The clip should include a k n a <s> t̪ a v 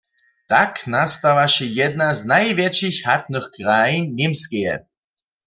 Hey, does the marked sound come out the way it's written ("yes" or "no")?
yes